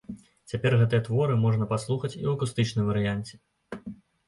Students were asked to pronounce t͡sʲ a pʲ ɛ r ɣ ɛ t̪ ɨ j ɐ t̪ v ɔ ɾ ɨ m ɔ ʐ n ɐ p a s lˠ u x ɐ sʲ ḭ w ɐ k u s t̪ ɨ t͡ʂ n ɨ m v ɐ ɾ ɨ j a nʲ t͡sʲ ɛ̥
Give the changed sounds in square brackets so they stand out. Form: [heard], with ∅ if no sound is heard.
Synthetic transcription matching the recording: t͡sʲ a pʲ ɛ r ɣ ɛ t̪ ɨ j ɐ t̪ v ɔ ɾ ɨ m ɔ ʐ n ɐ p a s lˠ u x ɐ [t͡sʲ] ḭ w ɐ k u s t̪ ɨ t͡ʂ n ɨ m v ɐ ɾ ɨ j a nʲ t͡sʲ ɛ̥